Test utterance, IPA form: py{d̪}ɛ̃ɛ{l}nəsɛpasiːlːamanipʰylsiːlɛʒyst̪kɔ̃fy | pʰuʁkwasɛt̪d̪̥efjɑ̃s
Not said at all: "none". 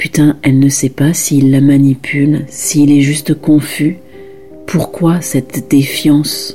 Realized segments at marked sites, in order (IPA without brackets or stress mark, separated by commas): t̪, l